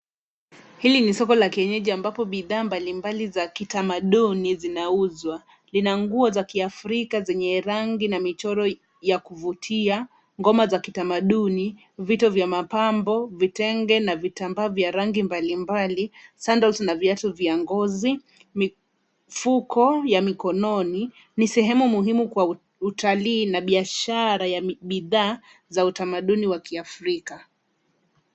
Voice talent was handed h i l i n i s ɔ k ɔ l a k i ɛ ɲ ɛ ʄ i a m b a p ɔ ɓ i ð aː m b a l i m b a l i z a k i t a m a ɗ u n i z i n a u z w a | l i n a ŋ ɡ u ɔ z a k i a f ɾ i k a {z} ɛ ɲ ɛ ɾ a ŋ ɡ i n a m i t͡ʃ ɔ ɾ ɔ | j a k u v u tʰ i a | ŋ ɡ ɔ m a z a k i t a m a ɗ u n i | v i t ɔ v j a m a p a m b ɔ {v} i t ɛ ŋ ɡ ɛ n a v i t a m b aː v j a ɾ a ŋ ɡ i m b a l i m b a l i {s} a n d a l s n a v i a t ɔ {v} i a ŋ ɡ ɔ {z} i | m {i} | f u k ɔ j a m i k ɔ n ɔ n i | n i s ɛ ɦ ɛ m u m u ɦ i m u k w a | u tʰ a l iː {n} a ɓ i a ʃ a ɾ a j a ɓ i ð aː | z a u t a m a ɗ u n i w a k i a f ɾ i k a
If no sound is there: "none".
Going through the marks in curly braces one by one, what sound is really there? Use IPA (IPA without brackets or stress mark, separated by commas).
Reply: z, v, s, v, z, i, n